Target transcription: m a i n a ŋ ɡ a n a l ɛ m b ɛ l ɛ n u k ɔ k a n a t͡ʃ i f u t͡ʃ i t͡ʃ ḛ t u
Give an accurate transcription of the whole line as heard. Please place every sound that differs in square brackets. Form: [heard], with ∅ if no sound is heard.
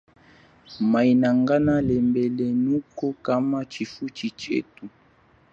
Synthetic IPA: m a i n a ŋ ɡ a n a l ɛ m b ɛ l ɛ n u k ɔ k a [m] a t͡ʃ i f u t͡ʃ i t͡ʃ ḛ t u